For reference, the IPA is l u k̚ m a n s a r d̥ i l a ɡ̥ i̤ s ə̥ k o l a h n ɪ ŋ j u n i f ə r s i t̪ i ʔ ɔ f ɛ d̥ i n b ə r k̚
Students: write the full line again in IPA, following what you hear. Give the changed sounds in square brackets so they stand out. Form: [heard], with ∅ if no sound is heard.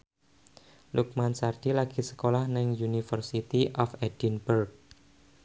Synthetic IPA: l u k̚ m a n s a r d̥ i l a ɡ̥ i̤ s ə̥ k o l a h n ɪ ŋ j u n i f ə r s i t̪ i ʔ ɔ f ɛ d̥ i n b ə r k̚